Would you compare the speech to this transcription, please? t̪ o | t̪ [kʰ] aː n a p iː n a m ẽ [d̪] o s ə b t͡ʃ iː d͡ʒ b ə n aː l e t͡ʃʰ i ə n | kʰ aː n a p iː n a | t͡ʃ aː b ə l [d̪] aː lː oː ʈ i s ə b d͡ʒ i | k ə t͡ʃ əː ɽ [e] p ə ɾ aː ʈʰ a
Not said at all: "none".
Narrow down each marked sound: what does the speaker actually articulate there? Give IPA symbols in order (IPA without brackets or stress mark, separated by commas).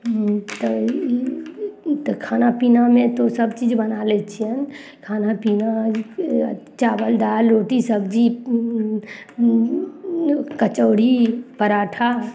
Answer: kʰ, t̪, d̪, i